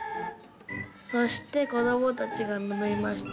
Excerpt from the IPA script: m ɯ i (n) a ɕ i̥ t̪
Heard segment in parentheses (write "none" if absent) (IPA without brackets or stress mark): m